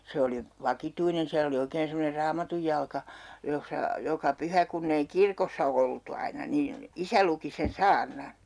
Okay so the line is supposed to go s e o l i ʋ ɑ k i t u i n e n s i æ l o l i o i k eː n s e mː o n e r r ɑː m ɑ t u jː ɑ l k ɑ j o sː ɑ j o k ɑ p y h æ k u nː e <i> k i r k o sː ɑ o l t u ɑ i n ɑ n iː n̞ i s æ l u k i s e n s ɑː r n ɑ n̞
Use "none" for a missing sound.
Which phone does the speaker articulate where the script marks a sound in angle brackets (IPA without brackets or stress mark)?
i